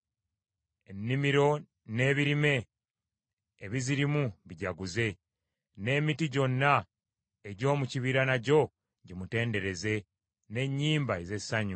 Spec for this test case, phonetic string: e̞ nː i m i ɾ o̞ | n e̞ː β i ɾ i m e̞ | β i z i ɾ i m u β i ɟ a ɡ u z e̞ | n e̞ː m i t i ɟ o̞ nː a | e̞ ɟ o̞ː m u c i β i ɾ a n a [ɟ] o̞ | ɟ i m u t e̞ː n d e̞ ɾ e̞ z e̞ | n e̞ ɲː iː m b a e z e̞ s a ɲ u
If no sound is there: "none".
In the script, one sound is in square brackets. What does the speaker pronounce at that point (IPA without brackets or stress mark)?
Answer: ɟ